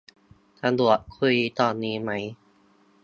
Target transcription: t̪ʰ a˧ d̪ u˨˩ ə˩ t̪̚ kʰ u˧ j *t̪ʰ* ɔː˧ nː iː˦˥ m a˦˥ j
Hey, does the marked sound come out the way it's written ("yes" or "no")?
no